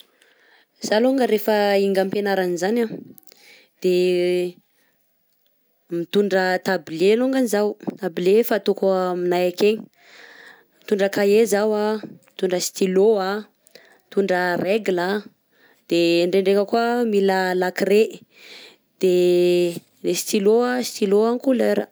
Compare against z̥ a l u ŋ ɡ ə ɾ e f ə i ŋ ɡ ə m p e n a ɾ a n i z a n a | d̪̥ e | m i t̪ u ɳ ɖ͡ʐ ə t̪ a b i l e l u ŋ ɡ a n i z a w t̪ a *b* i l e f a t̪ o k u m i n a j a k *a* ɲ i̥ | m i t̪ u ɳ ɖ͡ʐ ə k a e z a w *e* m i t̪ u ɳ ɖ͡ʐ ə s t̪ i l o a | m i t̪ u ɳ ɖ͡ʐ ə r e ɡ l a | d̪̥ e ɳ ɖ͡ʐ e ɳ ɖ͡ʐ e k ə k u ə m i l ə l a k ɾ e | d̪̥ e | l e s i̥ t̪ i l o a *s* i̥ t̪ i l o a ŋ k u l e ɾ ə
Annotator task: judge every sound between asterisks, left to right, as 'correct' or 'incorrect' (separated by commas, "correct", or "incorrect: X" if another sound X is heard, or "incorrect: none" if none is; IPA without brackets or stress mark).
correct, incorrect: e, incorrect: a, correct